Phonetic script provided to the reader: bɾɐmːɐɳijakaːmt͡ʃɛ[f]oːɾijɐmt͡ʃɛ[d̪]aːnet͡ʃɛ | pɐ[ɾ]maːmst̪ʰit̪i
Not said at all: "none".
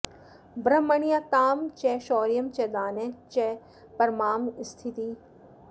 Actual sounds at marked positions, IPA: ʃ, d̪, ɾ

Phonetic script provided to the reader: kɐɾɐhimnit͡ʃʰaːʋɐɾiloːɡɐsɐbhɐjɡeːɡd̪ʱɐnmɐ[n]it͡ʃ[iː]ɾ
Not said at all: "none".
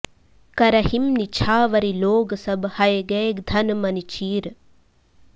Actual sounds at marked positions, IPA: n, iː

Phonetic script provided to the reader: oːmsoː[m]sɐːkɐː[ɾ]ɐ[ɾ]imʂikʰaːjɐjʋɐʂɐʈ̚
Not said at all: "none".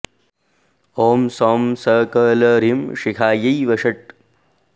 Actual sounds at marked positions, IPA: m, l, ɾ

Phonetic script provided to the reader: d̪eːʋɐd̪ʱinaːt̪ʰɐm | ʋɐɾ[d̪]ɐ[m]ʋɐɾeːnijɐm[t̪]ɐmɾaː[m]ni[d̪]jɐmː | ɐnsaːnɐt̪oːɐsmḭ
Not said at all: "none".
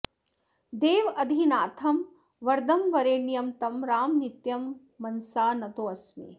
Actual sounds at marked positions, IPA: d̪, m, t̪, m, t̪

